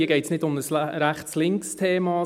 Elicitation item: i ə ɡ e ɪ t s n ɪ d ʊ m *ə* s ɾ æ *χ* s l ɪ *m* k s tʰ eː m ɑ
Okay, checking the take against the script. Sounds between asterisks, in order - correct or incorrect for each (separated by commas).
correct, correct, incorrect